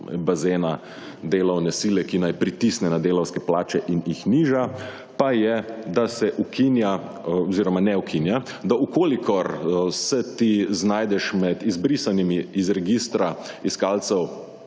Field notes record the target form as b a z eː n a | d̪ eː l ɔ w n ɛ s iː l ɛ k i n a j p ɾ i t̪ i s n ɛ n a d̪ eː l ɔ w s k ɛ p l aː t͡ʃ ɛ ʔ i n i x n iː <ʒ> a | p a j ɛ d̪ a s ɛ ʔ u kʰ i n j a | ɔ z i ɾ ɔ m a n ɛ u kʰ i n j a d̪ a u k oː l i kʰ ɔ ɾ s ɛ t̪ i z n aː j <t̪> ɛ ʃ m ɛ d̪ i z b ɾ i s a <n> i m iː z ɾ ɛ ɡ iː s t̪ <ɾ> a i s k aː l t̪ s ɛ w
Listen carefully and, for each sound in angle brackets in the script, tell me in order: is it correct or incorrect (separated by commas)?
correct, incorrect, correct, correct